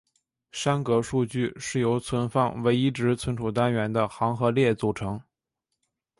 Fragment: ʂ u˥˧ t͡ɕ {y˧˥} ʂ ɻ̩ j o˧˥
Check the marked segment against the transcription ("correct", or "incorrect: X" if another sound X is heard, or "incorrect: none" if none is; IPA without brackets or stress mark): incorrect: y˥˩